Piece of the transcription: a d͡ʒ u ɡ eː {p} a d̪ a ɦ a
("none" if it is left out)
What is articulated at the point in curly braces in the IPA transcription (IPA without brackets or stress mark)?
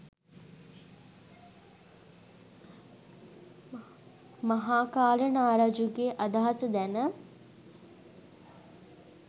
ʔ